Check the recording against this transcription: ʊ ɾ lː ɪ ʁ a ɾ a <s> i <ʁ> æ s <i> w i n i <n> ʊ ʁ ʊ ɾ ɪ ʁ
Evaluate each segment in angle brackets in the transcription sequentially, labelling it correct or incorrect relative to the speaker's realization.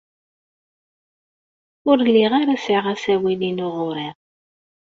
correct, correct, incorrect: æ, correct

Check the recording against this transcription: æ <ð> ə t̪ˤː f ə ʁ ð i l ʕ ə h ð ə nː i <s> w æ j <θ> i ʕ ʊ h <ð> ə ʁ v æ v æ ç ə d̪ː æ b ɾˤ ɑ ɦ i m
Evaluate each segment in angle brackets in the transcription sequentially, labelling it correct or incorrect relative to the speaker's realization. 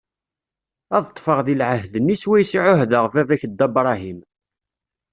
correct, correct, incorrect: s, correct

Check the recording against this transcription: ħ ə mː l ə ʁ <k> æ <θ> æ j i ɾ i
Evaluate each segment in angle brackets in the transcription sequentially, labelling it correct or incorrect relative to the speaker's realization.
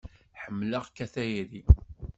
correct, correct

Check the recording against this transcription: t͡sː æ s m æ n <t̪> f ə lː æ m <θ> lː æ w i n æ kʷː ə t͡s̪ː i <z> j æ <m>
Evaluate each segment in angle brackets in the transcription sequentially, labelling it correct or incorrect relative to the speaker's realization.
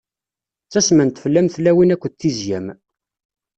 correct, correct, correct, correct

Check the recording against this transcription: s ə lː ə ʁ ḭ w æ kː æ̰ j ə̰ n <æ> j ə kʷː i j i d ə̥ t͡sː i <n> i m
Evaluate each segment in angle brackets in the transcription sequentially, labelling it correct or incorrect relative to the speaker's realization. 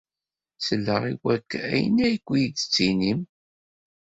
correct, correct

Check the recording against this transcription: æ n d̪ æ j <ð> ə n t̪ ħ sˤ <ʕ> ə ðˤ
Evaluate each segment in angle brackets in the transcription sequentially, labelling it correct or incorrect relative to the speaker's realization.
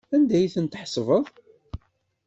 incorrect: θ, incorrect: v

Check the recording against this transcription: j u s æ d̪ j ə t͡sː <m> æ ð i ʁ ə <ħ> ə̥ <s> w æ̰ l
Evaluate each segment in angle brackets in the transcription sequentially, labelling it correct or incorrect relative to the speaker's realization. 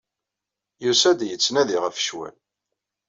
incorrect: n, incorrect: f, incorrect: ʃ

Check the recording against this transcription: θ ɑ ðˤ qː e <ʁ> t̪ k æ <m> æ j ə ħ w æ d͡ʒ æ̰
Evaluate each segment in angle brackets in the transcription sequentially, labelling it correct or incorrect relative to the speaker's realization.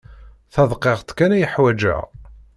correct, incorrect: n

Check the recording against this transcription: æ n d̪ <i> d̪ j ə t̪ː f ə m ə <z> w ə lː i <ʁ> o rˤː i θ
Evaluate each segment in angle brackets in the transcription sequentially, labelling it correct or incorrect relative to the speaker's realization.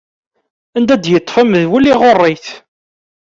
incorrect: æ, incorrect: ð, correct

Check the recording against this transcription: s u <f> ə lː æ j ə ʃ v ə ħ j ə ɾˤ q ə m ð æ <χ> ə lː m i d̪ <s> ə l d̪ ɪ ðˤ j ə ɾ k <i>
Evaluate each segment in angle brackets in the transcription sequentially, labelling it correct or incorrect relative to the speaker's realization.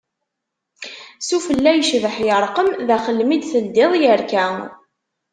correct, correct, incorrect: θ, incorrect: æ

